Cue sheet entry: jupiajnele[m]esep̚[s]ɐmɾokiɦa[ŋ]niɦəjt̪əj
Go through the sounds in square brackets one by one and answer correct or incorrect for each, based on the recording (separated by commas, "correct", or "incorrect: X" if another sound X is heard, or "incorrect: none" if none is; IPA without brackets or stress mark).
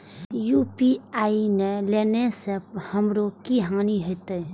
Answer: incorrect: n, incorrect: h, correct